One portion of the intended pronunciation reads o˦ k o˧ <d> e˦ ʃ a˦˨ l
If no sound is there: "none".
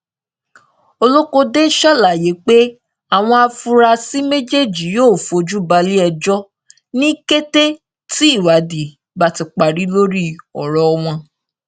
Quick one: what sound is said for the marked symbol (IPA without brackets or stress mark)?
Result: d